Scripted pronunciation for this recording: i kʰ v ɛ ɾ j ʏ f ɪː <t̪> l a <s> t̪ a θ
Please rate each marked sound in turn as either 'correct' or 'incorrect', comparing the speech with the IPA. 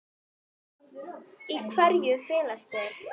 incorrect: none, correct

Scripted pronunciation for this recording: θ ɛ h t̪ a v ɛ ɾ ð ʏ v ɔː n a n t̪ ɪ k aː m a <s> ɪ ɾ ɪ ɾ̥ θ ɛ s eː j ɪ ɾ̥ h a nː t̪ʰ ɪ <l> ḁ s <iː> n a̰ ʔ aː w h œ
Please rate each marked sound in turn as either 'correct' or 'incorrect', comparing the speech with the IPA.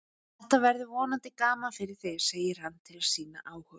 incorrect: f, correct, correct

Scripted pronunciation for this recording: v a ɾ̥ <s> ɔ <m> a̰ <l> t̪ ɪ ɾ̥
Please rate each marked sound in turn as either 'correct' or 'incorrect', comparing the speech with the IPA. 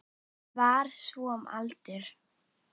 correct, correct, correct

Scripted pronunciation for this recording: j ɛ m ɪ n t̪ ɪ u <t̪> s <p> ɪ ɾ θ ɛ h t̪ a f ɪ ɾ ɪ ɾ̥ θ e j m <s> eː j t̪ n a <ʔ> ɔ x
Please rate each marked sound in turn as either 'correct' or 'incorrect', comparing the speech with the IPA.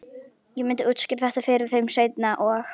correct, incorrect: c, correct, correct

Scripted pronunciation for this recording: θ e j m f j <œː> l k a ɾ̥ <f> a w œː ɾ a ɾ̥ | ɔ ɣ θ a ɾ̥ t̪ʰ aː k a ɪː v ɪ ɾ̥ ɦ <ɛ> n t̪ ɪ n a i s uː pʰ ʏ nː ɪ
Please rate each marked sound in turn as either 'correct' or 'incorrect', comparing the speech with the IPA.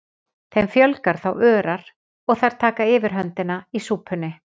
incorrect: œ, incorrect: θ, incorrect: œ

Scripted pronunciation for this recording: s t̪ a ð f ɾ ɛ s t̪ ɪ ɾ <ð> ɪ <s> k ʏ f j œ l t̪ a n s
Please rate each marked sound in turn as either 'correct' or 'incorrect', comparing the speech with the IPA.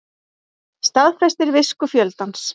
incorrect: v, correct

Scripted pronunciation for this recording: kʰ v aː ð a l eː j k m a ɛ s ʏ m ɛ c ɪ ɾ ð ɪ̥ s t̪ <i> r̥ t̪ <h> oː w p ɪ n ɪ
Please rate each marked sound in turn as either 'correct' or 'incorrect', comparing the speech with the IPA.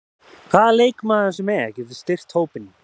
incorrect: ɪ, correct

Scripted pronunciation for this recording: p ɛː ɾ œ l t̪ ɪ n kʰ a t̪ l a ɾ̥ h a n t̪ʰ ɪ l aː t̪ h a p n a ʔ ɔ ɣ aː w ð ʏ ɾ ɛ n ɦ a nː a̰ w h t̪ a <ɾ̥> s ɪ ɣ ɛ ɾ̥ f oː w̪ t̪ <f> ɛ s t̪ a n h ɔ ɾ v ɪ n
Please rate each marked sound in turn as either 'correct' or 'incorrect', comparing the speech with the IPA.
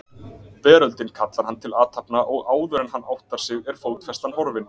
correct, correct

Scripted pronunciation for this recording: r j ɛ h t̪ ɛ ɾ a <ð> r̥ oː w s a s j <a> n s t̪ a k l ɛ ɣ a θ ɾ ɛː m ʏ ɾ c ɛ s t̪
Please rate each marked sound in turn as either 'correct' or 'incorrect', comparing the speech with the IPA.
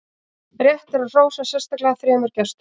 correct, incorrect: ɛ

